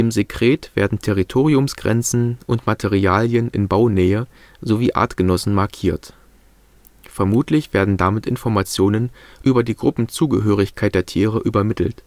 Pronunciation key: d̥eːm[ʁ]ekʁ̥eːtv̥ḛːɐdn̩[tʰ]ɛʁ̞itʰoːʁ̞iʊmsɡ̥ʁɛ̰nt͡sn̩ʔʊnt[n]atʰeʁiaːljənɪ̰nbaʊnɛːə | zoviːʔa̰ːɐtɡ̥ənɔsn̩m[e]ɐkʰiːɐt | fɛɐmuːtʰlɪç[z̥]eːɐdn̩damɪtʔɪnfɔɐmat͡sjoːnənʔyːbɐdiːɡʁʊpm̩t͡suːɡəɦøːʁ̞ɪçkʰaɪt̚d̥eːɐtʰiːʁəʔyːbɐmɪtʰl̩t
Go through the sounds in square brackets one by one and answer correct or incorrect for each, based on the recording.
incorrect, correct, incorrect, incorrect, incorrect

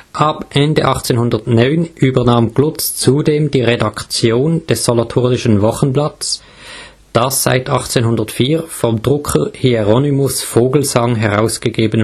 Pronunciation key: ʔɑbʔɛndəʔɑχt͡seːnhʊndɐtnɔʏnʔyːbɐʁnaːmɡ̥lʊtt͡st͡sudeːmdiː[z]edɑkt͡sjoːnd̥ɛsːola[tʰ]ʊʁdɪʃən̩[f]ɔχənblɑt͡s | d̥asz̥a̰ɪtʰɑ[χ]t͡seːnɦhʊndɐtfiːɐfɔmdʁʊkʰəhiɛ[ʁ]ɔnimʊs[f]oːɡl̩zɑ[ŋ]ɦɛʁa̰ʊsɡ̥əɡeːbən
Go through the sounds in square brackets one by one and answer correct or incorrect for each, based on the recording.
incorrect, correct, incorrect, correct, correct, correct, correct

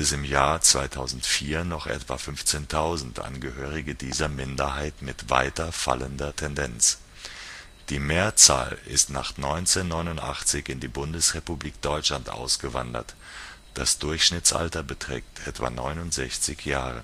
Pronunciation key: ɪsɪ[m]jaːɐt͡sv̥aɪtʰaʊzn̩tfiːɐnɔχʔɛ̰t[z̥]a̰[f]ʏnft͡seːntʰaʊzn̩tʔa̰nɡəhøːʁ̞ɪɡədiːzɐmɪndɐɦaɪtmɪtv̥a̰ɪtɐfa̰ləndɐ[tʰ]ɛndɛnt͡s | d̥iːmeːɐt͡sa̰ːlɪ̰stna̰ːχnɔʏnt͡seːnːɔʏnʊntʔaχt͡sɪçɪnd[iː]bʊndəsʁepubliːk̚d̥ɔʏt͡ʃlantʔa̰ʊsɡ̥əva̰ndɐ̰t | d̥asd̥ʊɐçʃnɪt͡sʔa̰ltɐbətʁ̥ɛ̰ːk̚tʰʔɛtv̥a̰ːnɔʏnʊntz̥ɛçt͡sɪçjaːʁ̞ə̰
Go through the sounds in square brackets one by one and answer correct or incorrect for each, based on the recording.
correct, incorrect, correct, correct, correct

